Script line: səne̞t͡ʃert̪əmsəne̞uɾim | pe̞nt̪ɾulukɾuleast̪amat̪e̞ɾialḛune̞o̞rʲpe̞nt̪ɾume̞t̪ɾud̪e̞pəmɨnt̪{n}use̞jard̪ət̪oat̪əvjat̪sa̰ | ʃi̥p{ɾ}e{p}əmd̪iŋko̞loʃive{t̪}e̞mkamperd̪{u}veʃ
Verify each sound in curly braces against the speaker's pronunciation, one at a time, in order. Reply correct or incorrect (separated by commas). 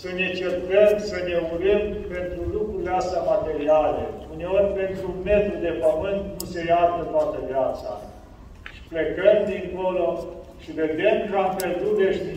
correct, incorrect, incorrect, incorrect, correct